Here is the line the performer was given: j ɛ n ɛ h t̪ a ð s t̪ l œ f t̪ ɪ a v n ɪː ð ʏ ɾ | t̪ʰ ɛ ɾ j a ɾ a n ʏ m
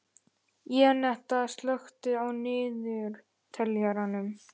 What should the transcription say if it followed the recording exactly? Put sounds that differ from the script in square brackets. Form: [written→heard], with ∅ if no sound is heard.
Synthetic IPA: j ɛ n ɛ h t̪ a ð s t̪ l œ [f→x] t̪ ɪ a [v→w] n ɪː ð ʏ ɾ | t̪ʰ ɛ [ɾ→l] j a ɾ a n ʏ m